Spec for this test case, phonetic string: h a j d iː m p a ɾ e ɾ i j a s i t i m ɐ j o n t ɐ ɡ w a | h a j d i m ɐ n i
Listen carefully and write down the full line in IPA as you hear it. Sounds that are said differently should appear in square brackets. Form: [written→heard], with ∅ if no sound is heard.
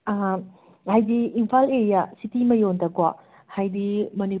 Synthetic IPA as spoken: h a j d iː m [p→pʰ] a [ɾ→l] e ɾ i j a s i t i m ɐ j o n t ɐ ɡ w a | h a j d i m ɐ n i